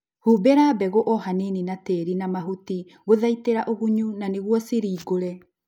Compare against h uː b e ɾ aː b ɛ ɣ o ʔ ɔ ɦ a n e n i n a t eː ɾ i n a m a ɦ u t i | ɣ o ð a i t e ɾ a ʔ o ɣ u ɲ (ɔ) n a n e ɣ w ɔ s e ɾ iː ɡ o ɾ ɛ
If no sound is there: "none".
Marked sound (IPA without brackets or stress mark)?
u